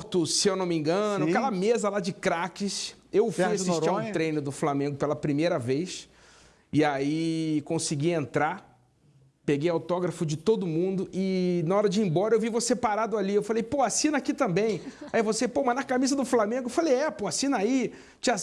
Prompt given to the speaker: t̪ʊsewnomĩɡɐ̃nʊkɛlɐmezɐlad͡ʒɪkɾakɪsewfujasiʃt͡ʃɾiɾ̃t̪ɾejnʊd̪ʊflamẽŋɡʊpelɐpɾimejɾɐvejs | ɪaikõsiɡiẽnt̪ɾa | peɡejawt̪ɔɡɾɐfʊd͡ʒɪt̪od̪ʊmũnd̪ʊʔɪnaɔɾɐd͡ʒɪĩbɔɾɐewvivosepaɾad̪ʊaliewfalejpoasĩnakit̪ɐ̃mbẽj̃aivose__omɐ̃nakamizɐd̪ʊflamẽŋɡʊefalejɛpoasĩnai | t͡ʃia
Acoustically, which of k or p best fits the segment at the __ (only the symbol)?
p